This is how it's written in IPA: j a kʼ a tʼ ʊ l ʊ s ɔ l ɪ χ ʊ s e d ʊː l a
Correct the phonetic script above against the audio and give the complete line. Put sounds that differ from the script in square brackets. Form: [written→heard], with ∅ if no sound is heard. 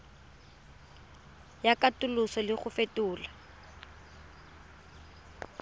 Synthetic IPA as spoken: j a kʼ a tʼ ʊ l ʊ s ɔ l ɪ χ ʊ [s→f] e [d→t] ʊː l a